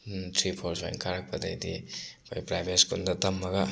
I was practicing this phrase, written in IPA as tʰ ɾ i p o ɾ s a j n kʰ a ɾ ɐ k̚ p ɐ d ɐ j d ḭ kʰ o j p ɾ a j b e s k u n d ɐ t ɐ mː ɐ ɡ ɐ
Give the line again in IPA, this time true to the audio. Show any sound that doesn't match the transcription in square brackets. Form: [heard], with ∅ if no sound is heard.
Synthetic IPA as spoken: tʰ ɾ i [pʰ] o ɾ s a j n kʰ a ɾ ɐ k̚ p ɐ d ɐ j d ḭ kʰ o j p ɾ a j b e s k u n d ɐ t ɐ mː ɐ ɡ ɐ